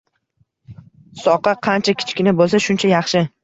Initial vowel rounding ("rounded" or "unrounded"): rounded